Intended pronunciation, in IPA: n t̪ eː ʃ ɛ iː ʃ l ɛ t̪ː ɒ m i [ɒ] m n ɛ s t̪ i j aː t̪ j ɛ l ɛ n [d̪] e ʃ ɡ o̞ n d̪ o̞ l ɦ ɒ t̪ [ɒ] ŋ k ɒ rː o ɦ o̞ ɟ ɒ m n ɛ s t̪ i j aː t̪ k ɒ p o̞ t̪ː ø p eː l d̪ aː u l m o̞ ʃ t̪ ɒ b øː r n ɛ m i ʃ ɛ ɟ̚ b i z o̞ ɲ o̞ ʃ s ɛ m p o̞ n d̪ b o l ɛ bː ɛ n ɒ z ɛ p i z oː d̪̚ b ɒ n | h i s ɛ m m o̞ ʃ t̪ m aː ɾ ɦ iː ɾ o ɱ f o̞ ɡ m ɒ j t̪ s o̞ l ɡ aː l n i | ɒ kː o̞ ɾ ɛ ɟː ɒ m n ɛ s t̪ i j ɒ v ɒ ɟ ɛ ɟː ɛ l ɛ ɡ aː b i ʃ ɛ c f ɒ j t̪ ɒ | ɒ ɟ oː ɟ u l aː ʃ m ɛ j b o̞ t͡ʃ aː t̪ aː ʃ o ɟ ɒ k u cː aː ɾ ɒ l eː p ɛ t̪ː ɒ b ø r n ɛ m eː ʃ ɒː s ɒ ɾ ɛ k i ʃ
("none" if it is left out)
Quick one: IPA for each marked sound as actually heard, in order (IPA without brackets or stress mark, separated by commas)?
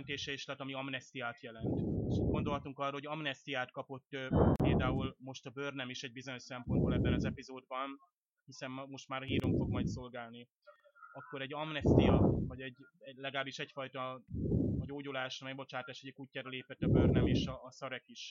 ɒ, t̪, u